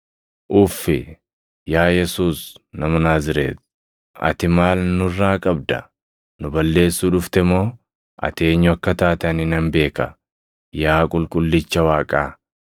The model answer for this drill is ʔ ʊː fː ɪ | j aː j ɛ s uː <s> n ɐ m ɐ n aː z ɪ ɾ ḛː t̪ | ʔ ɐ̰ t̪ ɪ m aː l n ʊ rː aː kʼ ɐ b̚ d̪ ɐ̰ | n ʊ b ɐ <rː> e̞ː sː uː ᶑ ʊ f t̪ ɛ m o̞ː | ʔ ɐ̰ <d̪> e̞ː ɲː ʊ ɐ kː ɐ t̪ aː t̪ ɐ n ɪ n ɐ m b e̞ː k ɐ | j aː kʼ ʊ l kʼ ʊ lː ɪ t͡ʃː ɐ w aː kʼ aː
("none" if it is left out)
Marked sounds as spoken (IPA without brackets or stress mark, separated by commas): s, lː, t̪